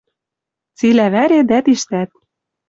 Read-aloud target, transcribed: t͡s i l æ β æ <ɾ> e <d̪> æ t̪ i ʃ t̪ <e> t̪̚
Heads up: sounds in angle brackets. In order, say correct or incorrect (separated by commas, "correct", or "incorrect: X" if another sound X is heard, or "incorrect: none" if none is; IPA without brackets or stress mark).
correct, correct, incorrect: æ